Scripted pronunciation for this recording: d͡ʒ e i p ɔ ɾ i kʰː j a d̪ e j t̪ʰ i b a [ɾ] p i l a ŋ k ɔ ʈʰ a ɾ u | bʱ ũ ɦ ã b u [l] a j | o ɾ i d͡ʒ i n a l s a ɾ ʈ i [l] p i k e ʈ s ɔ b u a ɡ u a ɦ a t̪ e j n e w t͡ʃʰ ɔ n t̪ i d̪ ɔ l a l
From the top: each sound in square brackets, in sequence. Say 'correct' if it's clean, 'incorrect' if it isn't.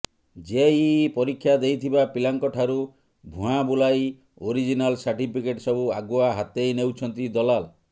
incorrect: none, correct, incorrect: none

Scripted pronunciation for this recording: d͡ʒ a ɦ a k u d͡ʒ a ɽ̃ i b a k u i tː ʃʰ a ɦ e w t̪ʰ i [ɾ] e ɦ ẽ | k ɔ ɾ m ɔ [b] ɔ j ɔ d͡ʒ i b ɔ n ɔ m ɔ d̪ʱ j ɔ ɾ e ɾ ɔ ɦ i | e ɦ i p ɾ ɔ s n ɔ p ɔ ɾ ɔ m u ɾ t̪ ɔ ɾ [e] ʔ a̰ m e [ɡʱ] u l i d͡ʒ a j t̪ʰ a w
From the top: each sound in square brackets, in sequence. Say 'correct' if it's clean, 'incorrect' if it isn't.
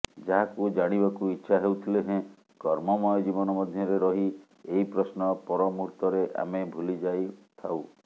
incorrect: l, incorrect: m, correct, incorrect: bʱ

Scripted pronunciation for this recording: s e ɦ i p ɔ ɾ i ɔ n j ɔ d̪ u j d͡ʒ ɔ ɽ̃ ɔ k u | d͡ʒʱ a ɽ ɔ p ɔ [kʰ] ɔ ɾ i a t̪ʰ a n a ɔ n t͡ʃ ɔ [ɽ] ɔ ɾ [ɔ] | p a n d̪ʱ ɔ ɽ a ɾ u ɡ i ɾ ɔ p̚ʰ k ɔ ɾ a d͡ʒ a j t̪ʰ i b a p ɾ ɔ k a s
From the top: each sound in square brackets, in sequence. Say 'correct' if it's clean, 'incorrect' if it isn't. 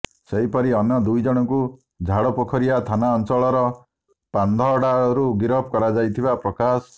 correct, incorrect: ɭ, correct

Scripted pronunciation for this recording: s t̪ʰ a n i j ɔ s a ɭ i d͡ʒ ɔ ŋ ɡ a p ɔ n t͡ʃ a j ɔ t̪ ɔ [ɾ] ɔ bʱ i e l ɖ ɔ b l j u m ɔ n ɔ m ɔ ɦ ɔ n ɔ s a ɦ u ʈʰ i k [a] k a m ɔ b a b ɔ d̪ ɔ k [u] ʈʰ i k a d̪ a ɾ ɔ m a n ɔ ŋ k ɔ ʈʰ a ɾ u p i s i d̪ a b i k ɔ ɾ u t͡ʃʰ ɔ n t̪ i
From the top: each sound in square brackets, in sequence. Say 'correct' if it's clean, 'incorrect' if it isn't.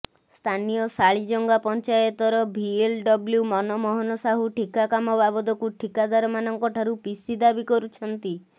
correct, correct, correct

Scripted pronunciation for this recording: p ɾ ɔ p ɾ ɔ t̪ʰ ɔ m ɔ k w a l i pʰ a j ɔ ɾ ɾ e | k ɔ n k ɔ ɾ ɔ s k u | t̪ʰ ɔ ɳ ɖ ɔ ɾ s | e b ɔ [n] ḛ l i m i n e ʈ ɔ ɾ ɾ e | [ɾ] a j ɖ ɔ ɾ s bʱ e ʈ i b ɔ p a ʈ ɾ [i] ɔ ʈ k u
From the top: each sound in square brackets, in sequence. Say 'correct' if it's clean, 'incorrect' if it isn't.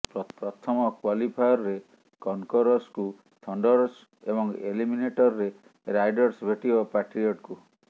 incorrect: ŋ, correct, correct

